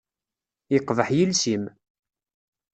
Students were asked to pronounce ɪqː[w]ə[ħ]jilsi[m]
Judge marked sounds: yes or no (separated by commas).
no, yes, yes